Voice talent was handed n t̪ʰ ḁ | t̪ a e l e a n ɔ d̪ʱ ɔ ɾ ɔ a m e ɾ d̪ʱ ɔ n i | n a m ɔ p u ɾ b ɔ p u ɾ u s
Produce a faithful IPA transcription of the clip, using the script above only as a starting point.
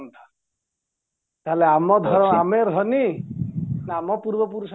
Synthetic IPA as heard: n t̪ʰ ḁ | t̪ a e l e a m ɔ d̪ʱ ɔ ɾ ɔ a m e ɾ d̪ʱ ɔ n i | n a m ɔ p u ɾ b ɔ p u ɾ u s